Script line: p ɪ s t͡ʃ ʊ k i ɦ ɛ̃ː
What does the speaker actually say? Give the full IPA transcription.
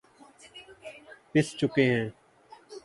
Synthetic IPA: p ɪ s t͡ʃ ʊ k e ɦ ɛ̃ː